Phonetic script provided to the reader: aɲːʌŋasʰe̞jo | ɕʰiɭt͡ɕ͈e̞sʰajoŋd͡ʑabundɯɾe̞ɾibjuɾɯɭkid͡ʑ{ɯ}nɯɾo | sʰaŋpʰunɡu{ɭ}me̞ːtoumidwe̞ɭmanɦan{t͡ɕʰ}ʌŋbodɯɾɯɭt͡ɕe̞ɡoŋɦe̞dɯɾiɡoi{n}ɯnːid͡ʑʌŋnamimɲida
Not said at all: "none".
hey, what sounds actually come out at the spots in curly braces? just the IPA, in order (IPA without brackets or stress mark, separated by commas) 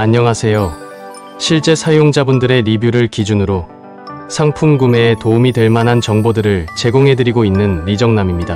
u, none, t͡ɕ, nː